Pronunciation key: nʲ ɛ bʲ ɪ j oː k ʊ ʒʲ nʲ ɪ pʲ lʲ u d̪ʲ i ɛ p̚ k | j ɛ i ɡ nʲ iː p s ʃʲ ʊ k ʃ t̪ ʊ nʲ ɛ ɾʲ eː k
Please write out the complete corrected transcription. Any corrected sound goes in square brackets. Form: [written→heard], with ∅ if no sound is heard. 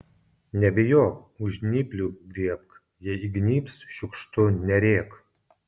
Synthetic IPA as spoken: nʲ ɛ bʲ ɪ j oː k ʊ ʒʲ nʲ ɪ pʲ lʲ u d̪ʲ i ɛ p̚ k | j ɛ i ɡ nʲ iː p s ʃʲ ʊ k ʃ t̪ ʊ nʲ ɛ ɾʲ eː k